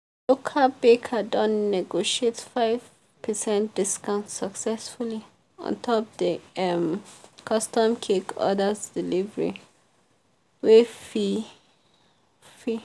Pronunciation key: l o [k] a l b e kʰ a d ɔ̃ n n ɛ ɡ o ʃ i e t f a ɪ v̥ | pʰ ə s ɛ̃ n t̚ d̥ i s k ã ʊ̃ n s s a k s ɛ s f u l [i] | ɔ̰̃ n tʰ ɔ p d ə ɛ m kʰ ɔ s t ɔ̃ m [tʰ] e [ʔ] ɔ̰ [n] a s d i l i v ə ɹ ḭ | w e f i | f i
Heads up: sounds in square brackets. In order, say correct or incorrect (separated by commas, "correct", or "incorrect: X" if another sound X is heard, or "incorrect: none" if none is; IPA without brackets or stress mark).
incorrect: kʰ, correct, incorrect: kʰ, incorrect: k, incorrect: d